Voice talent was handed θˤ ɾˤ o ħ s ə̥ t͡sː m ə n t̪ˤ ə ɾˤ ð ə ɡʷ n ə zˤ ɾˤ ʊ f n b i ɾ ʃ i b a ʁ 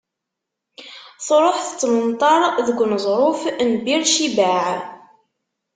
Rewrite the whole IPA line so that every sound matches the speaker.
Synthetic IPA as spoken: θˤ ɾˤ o ħ θ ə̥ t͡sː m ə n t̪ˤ ɑ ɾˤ ð ə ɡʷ n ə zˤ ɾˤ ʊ f n b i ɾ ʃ i b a ʕ